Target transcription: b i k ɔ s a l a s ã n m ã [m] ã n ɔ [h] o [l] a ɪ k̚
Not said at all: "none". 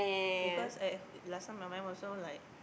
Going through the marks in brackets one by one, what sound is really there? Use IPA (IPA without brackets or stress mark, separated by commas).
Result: m, s, l